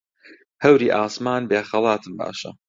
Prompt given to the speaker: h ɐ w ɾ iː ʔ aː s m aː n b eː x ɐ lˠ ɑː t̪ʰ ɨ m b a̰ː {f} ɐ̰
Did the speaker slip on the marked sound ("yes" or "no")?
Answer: yes